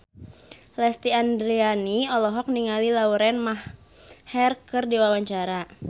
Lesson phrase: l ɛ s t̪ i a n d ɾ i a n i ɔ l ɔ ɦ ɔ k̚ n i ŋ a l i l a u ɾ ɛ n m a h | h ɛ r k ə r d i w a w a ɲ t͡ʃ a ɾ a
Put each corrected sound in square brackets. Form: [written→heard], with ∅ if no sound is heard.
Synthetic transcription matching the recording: l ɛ s t̪ i a n d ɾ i a n i ɔ l ɔ ɦ ɔ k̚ n i ŋ a l i l a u ɾ ɛ n m a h | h ɛ r k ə r d i w a w a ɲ t͡ʃ a ɾ a